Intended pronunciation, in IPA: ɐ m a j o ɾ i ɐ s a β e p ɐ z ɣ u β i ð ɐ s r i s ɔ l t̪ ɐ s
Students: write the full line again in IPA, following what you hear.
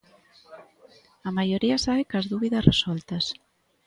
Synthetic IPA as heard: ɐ m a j o ɾ i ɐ s a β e k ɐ z ð u β i ð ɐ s r e s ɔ l t̪ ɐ s

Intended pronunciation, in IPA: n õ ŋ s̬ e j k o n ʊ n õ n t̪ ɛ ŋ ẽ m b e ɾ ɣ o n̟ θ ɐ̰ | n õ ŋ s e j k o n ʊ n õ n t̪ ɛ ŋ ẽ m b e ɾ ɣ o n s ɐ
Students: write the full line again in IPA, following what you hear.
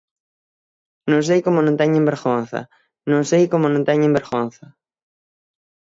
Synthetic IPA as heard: n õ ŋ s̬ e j k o m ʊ n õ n t̪ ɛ ɲ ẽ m b e ɾ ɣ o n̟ θ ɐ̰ | n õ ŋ s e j k o m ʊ n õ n t̪ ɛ ɲ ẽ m b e ɾ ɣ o n θ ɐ

